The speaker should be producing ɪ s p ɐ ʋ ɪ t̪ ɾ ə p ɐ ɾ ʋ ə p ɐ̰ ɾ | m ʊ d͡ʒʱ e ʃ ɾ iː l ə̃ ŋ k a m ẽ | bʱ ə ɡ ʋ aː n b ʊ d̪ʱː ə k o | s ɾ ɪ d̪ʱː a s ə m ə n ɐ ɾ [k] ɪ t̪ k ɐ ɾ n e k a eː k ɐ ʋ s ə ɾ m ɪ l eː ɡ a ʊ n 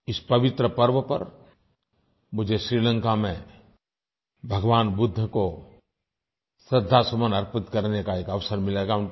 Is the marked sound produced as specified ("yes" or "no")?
no